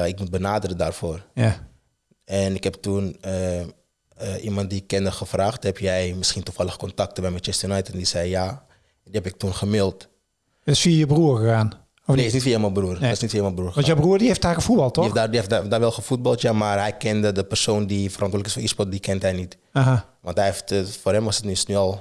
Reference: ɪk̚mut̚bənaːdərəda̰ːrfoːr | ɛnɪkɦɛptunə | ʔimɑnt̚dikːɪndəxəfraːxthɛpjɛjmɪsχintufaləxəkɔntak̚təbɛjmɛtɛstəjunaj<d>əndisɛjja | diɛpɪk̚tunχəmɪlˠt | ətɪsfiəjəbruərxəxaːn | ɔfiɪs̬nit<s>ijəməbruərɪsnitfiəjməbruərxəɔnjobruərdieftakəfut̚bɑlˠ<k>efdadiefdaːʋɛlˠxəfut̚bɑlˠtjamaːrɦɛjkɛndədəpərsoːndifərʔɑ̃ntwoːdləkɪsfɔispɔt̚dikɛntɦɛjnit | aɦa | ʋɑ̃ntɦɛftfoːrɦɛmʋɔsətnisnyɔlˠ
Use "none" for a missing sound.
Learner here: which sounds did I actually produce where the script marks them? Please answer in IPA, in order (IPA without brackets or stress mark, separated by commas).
t, f, t